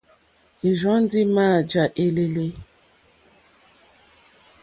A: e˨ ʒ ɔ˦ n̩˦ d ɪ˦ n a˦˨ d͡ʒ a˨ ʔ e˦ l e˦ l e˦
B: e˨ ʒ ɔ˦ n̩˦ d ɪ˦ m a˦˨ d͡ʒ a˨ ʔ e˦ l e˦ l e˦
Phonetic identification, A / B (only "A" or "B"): B